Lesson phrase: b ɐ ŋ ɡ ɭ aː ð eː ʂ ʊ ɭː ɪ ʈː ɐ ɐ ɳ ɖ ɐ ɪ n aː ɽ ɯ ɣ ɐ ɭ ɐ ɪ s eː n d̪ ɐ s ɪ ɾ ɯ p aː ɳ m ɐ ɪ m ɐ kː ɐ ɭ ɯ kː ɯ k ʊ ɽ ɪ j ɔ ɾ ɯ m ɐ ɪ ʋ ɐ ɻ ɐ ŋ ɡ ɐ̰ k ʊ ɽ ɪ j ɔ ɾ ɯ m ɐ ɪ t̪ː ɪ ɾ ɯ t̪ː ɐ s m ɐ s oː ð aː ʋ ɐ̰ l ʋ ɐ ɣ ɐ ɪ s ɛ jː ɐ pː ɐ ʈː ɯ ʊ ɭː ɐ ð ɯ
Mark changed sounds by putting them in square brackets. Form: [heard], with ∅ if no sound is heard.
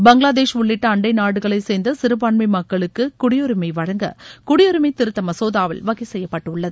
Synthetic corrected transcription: b ɐ ŋ ɡ ɭ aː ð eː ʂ ʊ ɭː ɪ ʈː ɐ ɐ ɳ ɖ ɐ ɪ n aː ɽ ɯ ɣ ɐ ɭ ɐ ɪ s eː n d̪ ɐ s ɪ ɾ ɯ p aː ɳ m ɐ ɪ m ɐ kː ɐ ɭ ɯ kː ɯ k ʊ ɽ ɪ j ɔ ɾ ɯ m ɐ ɪ ʋ ɐ ɻ ɐ ŋ ɡ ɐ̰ k ʊ ɽ ɪ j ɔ ɾ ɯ m ɐ ɪ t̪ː ɪ ɾ ɯ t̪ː ɐ [∅] m ɐ s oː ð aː ʋ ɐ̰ l ʋ ɐ ɣ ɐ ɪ s ɛ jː ɐ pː ɐ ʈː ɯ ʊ ɭː ɐ ð ɯ